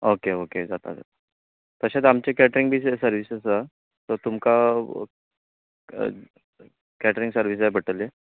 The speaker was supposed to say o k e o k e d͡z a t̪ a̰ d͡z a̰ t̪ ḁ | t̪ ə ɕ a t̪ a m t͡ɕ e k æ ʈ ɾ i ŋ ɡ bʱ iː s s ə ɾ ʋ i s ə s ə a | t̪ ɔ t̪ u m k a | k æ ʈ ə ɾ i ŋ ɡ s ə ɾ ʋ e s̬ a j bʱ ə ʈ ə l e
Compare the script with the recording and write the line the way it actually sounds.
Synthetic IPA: o k e o k e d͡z a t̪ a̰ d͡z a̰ t̪ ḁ | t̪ ə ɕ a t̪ a m t͡ɕ e k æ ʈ ɾ i ŋ ɡ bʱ iː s s ə ɾ ʋ i s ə s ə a | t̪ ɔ t̪ u m k a | k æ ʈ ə ɾ i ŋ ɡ s ə ɾ ʋ i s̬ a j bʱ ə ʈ ə l e